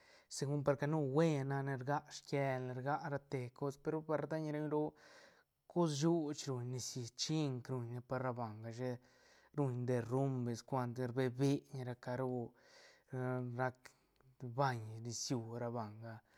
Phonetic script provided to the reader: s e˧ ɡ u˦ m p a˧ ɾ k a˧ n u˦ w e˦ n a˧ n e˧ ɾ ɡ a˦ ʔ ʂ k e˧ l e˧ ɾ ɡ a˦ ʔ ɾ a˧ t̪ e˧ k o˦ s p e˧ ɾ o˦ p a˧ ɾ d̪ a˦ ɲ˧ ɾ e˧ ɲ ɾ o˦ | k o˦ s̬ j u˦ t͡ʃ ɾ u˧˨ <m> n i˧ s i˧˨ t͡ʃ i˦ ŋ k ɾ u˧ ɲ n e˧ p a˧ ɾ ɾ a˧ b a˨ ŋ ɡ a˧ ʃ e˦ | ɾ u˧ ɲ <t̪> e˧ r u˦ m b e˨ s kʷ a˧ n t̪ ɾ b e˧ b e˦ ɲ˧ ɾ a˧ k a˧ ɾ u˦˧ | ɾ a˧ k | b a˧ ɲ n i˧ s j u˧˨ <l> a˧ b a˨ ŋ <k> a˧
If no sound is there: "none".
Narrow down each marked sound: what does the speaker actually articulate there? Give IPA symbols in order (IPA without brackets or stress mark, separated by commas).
ɲ, d̪, ɾ, ɡ